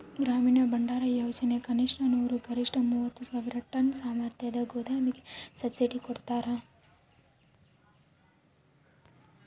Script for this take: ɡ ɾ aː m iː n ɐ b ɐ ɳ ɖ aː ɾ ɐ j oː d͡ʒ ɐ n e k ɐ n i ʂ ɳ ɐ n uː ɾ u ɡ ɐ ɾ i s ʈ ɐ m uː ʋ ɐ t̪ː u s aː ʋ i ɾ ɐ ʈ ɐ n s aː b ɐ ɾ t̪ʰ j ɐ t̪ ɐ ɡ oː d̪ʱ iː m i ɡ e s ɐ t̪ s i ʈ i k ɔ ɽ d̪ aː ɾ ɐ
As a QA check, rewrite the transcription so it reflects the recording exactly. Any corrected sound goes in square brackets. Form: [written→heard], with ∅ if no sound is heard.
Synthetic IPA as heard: ɡ ɾ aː m iː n ɐ b ɐ ɳ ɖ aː ɾ ɐ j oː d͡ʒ ɐ n e k ɐ n i ʂ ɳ ɐ n uː ɾ u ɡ ɐ ɾ i [s→ʂ] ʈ ɐ m uː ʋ ɐ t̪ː u s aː ʋ i ɾ ɐ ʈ ɐ n s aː [b→m] ɐ ɾ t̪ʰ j ɐ [t̪→d̪] ɐ ɡ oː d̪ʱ [iː→aː] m i ɡ e s ɐ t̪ s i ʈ i k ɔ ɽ [d̪→t̪] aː ɾ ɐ

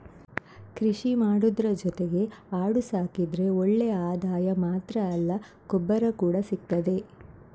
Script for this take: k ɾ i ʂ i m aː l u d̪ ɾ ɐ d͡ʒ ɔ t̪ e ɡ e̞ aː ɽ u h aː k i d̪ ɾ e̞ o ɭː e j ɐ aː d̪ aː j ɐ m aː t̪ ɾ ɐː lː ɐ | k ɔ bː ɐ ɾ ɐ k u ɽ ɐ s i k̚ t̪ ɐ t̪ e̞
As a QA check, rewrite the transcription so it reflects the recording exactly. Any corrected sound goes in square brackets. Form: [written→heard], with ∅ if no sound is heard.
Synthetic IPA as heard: k ɾ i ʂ i m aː [l→ɽ] u d̪ ɾ ɐ d͡ʒ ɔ t̪ e ɡ e̞ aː ɽ u [h→s] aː k i d̪ ɾ e̞ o ɭː e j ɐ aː d̪ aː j ɐ m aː t̪ ɾ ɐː lː ɐ | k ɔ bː ɐ ɾ ɐ k [u→uː] ɽ ɐ s i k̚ t̪ ɐ [t̪→d̪] e̞

